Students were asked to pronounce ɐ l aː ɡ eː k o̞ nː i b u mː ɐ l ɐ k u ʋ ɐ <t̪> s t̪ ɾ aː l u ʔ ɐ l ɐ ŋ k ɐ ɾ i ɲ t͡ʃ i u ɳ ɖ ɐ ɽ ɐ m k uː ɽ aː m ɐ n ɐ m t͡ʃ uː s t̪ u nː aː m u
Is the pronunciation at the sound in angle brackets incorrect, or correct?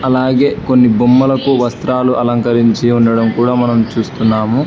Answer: incorrect